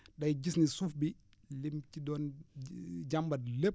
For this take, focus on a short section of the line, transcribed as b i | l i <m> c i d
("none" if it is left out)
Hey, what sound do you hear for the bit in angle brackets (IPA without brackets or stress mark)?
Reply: m